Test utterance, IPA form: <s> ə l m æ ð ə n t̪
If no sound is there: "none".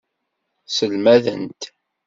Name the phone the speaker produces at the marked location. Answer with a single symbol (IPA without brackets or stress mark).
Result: s